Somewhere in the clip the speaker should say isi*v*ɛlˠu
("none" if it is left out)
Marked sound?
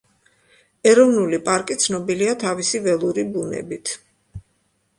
v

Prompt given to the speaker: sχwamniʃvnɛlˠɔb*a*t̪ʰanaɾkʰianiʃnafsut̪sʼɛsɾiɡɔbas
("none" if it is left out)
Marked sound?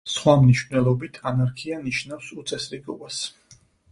i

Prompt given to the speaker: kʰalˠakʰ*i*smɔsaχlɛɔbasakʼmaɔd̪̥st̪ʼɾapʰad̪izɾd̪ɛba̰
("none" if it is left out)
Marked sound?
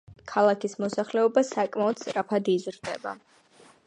i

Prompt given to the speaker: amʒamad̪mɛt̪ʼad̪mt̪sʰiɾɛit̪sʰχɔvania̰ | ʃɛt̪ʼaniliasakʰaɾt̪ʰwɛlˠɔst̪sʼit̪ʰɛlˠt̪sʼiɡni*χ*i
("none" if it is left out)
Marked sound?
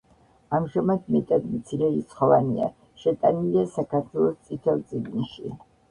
ʃ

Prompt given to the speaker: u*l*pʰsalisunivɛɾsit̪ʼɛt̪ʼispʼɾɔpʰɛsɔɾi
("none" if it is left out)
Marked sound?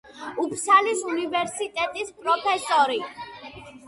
none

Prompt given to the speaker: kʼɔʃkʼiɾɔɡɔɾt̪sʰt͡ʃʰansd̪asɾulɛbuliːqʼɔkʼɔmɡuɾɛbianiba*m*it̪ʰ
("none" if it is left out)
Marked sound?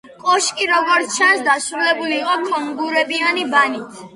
n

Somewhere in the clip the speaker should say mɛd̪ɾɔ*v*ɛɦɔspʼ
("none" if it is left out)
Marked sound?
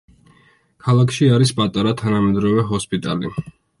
v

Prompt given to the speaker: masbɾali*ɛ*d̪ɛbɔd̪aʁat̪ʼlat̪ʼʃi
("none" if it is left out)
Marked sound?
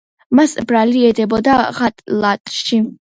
ɛ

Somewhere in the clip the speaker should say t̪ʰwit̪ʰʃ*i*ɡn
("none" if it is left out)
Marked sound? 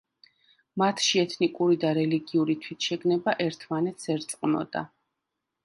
ɛ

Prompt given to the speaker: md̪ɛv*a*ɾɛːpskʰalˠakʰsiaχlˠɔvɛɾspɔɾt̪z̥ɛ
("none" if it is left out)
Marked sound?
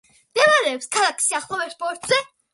a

